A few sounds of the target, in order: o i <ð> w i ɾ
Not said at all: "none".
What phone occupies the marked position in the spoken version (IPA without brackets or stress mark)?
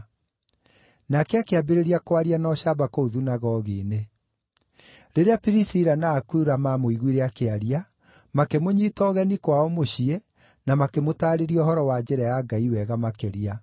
ɣ